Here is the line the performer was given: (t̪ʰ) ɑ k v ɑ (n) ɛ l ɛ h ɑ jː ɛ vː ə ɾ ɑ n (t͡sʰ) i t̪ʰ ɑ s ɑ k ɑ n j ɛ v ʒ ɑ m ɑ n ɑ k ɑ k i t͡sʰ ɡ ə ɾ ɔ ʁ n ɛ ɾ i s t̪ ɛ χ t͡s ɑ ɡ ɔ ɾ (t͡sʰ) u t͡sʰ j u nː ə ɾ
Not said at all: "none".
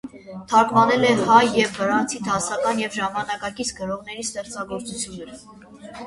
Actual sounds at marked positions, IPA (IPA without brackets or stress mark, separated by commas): t̪ʰ, n, t͡sʰ, t͡s